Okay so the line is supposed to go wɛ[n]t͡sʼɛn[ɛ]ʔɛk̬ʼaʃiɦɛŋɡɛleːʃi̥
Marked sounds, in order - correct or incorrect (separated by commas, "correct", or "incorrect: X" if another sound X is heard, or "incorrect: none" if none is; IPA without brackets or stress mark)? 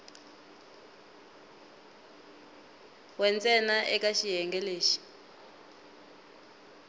correct, incorrect: a